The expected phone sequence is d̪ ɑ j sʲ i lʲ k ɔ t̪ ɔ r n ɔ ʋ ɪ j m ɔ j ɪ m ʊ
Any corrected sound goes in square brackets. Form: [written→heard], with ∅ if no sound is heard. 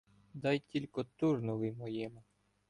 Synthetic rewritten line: d̪ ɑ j [sʲ→tʲ] i lʲ k ɔ t̪ [ɔ→u] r n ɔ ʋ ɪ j m ɔ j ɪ m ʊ